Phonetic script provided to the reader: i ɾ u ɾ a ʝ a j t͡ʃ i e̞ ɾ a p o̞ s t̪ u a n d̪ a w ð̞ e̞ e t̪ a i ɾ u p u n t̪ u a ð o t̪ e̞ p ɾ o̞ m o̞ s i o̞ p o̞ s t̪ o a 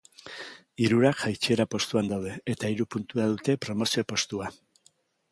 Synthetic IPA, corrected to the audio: i ɾ u ɾ a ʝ a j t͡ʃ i e̞ ɾ a p o̞ s t̪ u a n d̪ a w ð̞ e̞ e t̪ a i ɾ u p u n t̪ u a ð u t̪ e̞ p ɾ o̞ m o̞ s i o̞ p o̞ s t̪ u a